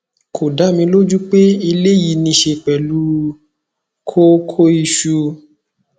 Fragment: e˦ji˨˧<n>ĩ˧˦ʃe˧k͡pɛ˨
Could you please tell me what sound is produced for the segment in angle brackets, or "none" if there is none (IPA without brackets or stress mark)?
n